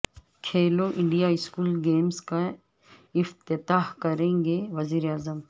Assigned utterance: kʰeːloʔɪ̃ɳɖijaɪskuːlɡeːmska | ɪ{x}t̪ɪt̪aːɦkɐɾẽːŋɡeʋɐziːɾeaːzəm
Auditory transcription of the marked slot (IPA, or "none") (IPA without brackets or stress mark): f